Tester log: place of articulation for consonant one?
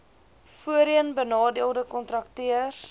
labial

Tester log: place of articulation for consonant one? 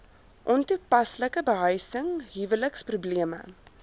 glottal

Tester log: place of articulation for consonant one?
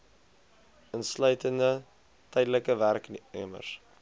alveolar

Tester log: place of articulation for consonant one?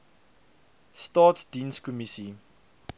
alveolar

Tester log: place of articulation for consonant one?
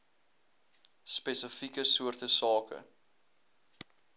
alveolar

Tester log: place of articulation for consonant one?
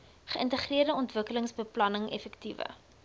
uvular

